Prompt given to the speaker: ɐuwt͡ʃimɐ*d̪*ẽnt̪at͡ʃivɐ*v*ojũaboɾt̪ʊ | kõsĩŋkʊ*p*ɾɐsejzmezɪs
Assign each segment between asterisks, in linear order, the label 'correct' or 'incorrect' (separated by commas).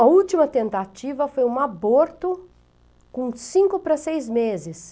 incorrect, incorrect, correct